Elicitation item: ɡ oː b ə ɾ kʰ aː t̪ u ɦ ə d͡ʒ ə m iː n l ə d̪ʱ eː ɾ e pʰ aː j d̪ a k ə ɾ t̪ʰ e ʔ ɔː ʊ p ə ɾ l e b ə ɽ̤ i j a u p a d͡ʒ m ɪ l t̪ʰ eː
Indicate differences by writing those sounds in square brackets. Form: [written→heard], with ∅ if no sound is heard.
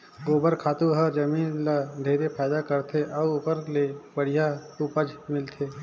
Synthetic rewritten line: ɡ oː b ə ɾ kʰ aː t̪ u ɦ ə d͡ʒ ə m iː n l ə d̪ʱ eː ɾ e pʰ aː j d̪ a k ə ɾ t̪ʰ e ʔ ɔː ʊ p ə ɾ l e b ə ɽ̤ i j a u p [a→ə] d͡ʒ m ɪ l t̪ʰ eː